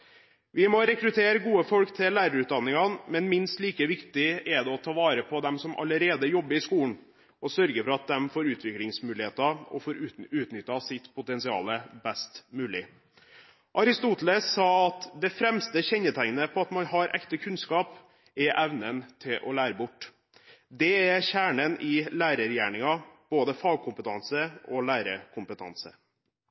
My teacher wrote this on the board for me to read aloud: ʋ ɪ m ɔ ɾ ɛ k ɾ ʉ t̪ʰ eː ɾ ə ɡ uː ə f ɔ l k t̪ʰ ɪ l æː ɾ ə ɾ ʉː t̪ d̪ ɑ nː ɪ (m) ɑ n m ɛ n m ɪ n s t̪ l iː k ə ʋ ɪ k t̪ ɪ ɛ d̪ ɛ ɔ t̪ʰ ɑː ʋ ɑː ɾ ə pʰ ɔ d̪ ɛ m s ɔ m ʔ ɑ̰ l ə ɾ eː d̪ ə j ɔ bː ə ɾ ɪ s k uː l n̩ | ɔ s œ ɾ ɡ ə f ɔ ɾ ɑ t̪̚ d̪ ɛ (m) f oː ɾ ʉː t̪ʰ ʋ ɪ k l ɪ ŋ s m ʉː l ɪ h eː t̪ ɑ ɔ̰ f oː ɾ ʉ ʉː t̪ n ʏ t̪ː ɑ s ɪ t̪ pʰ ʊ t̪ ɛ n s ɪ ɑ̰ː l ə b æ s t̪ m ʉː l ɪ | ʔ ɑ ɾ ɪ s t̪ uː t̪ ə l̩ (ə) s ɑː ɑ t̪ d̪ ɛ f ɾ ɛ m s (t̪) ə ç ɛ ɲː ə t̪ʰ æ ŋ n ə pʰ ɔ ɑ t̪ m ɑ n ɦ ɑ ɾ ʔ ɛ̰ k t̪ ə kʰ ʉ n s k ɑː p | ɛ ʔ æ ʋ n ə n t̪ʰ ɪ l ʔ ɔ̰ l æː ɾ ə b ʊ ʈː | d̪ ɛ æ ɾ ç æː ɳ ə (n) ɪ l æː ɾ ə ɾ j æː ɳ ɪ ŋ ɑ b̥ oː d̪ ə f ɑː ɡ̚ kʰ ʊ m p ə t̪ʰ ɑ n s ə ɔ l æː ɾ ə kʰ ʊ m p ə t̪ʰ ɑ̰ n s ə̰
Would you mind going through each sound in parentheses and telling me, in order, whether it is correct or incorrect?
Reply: incorrect: ŋ, correct, correct, correct, correct

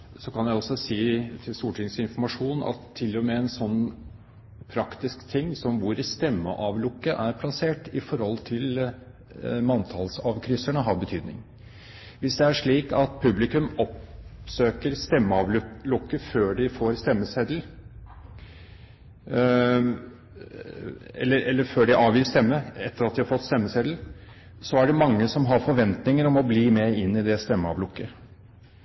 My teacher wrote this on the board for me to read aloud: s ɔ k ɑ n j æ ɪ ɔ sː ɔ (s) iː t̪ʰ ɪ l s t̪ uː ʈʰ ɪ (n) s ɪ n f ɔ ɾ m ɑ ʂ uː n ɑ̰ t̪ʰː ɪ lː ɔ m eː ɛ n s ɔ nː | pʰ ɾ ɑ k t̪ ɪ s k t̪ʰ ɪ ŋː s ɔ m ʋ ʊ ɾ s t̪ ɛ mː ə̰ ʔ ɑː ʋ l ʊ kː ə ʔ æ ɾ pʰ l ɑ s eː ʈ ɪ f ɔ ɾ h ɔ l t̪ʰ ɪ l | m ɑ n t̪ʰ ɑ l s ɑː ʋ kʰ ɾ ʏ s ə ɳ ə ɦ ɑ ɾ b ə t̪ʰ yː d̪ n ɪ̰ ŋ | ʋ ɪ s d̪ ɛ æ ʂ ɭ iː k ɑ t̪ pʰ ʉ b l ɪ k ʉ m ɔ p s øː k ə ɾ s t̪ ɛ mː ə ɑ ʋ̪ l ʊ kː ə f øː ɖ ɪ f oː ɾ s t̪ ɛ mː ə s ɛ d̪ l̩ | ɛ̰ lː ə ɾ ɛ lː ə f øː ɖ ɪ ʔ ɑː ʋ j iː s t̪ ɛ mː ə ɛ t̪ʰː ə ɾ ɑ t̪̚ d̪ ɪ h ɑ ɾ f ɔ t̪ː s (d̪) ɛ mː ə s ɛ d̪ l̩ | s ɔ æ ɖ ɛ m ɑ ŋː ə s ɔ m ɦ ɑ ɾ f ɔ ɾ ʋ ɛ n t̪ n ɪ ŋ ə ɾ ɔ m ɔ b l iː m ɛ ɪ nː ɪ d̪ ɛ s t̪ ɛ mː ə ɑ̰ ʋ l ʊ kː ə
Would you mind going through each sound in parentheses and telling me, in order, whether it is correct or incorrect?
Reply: correct, incorrect: ŋ, incorrect: t̪

